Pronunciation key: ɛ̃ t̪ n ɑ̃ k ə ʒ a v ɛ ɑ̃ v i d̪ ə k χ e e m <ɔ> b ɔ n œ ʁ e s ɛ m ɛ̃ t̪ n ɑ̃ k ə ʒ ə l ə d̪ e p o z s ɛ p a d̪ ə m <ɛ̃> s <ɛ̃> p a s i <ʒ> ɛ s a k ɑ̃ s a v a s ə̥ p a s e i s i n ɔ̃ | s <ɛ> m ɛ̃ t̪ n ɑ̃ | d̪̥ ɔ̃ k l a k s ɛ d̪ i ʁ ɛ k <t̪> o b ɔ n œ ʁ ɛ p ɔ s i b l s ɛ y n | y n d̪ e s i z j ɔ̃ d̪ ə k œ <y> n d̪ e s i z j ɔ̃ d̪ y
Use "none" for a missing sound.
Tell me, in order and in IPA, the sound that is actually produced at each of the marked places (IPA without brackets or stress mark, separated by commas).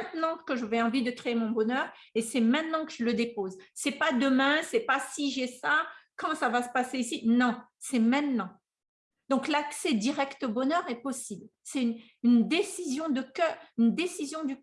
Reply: ɔ̃, ɛ̃, ɛ, ʒ, ɛ, t̪, y